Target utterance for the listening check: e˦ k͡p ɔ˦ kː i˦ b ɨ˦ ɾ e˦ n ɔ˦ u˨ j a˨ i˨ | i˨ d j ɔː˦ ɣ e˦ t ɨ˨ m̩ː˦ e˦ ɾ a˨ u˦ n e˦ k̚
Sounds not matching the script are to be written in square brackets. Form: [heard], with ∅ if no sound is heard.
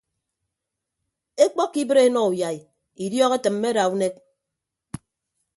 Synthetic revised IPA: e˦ k͡p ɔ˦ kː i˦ b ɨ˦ ɾ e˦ n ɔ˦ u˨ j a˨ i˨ | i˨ d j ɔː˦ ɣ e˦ t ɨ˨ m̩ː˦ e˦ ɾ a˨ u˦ n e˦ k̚